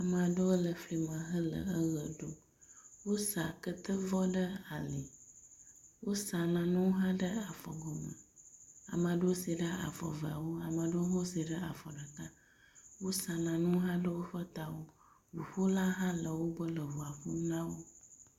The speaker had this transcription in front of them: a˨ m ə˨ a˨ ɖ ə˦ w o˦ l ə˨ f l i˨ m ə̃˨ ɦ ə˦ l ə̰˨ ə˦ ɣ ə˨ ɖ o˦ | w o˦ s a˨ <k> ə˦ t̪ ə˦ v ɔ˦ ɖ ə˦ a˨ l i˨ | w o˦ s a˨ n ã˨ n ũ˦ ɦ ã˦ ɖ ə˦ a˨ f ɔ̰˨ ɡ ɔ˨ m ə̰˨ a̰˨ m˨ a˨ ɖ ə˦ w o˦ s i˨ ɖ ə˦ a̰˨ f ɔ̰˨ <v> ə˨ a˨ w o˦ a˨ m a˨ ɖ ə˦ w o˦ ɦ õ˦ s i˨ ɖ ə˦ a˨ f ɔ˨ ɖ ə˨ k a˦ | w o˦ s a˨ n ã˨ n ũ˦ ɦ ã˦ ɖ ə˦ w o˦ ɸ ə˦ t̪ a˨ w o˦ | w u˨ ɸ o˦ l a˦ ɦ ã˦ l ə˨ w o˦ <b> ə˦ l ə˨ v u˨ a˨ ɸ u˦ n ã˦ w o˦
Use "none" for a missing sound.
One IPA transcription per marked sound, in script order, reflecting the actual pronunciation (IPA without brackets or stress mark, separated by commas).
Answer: k, v, b